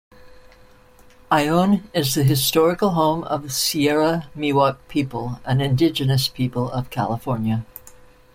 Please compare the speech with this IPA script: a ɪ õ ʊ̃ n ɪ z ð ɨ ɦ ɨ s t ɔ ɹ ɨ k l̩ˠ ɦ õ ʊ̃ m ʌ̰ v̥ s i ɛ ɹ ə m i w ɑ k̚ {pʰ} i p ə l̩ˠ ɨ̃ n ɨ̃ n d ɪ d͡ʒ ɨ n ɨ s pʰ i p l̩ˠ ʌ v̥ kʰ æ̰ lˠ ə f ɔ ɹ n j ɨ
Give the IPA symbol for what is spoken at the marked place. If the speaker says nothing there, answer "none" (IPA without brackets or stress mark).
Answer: pʰ